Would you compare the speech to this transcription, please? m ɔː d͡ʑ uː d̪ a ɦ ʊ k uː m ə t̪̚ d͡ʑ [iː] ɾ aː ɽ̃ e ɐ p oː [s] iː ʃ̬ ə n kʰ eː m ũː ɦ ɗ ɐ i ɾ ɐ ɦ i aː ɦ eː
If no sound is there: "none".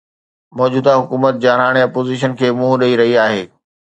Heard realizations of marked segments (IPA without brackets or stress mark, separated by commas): aː, z